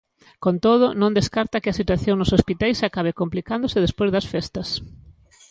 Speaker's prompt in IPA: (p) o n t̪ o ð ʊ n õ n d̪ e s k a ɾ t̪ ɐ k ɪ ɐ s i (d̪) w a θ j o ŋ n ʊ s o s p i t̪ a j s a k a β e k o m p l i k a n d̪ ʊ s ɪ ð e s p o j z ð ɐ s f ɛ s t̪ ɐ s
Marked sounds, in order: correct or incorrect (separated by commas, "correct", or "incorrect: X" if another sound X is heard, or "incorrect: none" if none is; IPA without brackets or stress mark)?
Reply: incorrect: k, incorrect: t̪